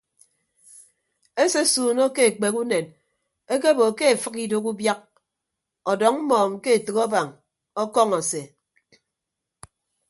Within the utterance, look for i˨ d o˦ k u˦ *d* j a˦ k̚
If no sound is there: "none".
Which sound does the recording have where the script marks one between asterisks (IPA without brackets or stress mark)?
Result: b